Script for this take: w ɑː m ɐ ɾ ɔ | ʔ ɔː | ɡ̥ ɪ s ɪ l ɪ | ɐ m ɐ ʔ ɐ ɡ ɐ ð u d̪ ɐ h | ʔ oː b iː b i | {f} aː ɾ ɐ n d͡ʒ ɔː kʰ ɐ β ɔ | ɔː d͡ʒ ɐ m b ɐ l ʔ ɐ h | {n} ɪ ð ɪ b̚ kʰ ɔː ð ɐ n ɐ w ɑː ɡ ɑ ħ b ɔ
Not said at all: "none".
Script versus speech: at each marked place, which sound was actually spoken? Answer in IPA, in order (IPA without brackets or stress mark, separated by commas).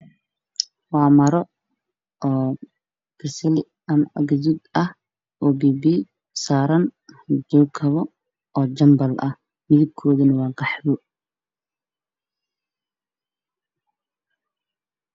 s, m